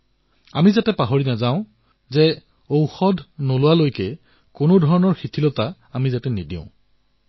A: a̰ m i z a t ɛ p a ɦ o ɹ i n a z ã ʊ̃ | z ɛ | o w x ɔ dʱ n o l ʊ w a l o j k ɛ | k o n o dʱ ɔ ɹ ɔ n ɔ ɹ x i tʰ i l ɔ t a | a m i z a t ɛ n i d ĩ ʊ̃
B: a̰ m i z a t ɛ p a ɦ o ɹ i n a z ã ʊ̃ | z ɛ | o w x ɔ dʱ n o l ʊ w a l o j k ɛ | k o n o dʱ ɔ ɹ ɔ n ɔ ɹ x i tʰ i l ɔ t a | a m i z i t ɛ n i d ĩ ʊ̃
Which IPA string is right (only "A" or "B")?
A